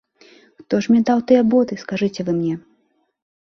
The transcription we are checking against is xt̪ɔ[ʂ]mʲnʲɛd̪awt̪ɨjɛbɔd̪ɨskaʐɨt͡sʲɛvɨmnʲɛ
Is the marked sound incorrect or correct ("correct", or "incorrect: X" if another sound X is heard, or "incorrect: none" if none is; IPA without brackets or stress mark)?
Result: correct